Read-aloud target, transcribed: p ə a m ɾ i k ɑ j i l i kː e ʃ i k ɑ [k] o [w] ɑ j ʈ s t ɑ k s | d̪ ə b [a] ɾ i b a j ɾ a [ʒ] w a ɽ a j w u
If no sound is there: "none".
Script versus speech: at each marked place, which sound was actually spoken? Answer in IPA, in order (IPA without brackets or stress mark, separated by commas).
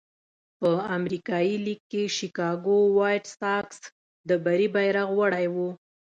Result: ɡ, w, a, ɣ